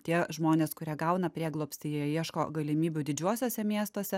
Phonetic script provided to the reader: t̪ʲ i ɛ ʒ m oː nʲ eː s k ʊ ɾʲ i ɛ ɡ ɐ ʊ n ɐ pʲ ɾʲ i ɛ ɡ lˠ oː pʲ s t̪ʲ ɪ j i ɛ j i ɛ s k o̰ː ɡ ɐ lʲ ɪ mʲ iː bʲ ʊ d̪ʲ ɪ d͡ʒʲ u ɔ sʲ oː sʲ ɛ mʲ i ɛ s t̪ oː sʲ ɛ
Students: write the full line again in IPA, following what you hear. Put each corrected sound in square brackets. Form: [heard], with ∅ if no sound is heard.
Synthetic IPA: t̪ʲ i ɛ ʒ m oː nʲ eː s k ʊ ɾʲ i ɛ ɡ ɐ ʊ n ɐ pʲ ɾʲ i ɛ ɡ lˠ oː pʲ s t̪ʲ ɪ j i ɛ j i ɛ [ʃ] k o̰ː ɡ ɐ lʲ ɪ mʲ iː bʲ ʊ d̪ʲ ɪ d͡ʒʲ u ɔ sʲ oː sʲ ɛ mʲ i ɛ s t̪ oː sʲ ɛ